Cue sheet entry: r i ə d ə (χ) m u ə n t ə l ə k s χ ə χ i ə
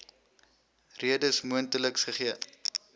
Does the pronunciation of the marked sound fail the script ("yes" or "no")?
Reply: yes